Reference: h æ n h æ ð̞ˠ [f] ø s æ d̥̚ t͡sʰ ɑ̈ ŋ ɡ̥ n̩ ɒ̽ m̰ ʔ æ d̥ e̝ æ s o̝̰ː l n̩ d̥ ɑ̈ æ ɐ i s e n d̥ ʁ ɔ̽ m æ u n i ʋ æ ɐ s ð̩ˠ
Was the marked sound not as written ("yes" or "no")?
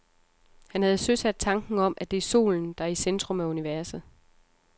yes